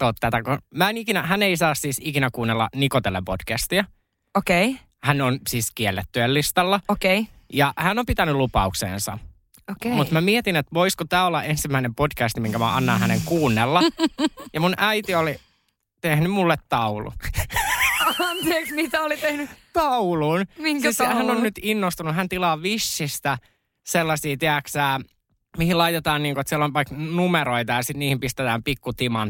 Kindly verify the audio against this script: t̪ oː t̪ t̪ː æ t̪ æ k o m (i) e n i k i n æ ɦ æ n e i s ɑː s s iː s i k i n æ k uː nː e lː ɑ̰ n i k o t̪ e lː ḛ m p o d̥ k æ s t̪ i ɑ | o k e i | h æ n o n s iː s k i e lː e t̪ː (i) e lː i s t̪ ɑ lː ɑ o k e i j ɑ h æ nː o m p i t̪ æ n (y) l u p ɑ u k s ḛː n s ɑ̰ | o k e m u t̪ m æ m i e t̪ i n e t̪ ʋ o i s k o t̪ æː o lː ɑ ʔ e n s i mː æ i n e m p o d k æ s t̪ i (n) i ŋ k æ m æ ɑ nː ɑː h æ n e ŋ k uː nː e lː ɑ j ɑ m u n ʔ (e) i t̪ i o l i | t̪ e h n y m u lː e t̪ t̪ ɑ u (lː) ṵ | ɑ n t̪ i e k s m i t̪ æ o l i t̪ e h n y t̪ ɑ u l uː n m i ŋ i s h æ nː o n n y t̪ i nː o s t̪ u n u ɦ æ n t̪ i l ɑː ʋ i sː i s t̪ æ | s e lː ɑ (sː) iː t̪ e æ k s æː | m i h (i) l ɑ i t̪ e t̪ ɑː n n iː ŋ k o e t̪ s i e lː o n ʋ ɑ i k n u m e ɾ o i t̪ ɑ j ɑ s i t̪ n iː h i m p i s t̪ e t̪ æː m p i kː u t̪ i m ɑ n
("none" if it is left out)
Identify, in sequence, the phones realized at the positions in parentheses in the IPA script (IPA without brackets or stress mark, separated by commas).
æ, y, y, m, æ, l, s, i